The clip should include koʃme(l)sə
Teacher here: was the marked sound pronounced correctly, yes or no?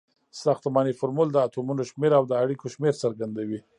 no